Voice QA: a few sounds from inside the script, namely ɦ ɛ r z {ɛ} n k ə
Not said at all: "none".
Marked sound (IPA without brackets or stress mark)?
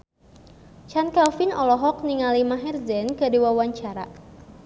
ɛ